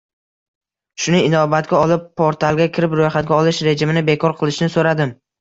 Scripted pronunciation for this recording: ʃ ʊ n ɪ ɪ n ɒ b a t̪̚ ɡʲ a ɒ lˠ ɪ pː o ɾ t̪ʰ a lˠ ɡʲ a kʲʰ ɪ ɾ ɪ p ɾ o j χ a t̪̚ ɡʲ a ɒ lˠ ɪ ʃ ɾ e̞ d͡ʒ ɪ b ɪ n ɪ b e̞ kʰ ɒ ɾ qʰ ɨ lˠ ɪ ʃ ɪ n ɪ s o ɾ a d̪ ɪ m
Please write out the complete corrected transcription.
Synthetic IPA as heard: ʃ ʊ n ɪ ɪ n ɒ b a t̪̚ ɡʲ a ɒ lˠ ɪ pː o ɾ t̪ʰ a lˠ ɡʲ a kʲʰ ɪ ɾ ɪ p ɾ o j χ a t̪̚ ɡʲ a ɒ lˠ ɪ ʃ ɾ e̞ d͡ʒ ɪ m ɪ n ɪ b e̞ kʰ ɒ ɾ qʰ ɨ lˠ ɪ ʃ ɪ n ɪ s o ɾ a d̪ ɪ m

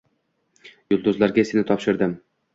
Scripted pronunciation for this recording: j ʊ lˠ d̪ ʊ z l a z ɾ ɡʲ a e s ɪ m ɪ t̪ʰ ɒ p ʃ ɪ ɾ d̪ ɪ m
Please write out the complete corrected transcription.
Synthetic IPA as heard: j ʊ lˠ d̪ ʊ z l a ɾ ɡʲ a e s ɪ n ɪ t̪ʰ ɒ p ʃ ɪ ɾ d̪ ɪ m

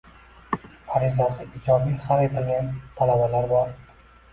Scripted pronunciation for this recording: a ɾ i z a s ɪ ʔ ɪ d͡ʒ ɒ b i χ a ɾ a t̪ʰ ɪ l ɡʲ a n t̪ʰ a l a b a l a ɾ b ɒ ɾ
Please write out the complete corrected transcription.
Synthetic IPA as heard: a ɾ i z a s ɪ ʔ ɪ d͡ʒ ɒ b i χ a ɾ e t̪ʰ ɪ l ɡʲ a n t̪ʰ a l a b a l a ɾ b ɒ ɾ

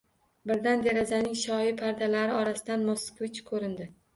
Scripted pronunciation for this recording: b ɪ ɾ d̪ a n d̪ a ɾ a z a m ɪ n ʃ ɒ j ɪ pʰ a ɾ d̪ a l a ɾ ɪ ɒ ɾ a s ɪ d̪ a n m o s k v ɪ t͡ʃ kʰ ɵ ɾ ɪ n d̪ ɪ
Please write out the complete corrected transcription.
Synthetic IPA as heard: b ɪ ɾ d̪ a n d̪ e ɾ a z a n ɪ ŋ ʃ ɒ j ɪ pʰ a ɾ d̪ a l a ɾ ɪ ɒ ɾ a s ɪ d̪ a n m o s k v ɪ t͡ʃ kʰ ɵ ɾ ɪ n d̪ ɪ

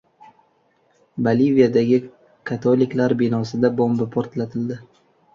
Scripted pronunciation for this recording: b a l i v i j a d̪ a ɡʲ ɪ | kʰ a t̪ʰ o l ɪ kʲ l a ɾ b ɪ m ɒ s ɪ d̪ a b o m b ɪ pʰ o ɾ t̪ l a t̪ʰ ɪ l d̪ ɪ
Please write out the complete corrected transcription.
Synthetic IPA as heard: b a l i v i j a d̪ a ɡʲ ɪ | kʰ a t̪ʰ o l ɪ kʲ l a ɾ b ɪ n ɒ s ɪ d̪ a b o m b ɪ pʰ o ɾ t̪ l a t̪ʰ ɪ l d̪ ɪ

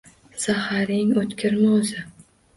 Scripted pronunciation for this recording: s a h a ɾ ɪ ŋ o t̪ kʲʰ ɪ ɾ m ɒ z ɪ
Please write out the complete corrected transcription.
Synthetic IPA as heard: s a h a ɾ ɪ ŋ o t̪ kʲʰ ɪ ɾ m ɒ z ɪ

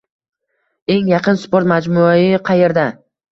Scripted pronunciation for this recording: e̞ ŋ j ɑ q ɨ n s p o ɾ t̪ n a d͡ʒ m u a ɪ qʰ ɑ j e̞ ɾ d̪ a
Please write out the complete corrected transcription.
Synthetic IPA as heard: e̞ ŋ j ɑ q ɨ n s p o ɾ t̪ m a d͡ʒ m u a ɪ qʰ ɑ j e̞ ɾ d̪ a

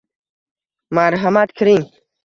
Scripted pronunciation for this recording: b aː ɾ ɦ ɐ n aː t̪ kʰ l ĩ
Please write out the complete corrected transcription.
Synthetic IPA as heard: m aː ɾ ɦ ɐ m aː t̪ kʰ ɾ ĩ

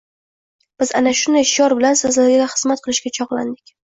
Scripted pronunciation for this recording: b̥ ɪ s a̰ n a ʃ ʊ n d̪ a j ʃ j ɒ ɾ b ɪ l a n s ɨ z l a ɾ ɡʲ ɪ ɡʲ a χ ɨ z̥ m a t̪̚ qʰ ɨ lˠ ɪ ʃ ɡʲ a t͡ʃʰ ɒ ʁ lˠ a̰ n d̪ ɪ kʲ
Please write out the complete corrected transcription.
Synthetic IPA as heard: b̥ ɪ z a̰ n a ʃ ʊ n d̪ a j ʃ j ɒ ɾ b ɪ l a n s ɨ z l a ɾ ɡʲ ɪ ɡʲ a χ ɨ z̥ m a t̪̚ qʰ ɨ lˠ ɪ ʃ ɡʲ a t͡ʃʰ ɒ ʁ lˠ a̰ n d̪ ɪ kʲ

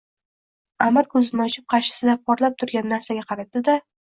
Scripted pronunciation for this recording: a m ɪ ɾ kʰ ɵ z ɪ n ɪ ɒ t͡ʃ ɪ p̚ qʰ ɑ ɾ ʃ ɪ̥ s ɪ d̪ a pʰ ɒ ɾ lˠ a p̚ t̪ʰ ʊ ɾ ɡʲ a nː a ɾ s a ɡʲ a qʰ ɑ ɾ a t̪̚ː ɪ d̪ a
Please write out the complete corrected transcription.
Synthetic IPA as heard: a m ɪ ɾ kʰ ɵ z ɪ n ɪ ɒ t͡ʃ ɪ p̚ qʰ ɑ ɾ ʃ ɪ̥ s ɪ d̪ a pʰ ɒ ɾ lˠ a p̚ t̪ʰ ʊ ɾ ɡʲ a nː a ɾ s a ɡʲ a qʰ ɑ ɾ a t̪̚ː ɪ d̪ a

